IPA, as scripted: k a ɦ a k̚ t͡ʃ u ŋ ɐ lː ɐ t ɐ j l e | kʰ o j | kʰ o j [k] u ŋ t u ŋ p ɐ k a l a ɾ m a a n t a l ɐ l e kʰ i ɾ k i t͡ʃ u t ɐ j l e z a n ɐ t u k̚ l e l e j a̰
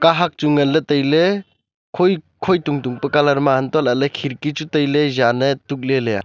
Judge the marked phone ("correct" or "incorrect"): incorrect